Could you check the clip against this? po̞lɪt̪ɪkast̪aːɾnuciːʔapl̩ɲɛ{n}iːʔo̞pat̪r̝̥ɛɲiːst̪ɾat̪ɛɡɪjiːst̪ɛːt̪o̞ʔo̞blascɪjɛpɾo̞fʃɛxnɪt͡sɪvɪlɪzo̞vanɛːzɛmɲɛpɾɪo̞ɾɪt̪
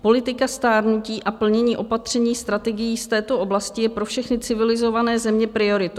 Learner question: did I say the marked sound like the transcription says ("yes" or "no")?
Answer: no